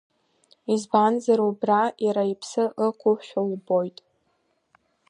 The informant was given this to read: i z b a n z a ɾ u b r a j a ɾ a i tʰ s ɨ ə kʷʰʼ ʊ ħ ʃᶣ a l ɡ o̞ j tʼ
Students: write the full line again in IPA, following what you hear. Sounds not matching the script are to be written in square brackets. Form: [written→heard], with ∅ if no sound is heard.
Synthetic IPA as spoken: i z b a n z a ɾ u b r a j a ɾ a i [tʰ→pʰ] s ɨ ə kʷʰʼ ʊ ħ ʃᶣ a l [ɡ→b] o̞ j tʼ